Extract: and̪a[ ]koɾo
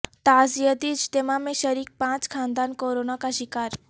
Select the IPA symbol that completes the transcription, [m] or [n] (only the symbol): n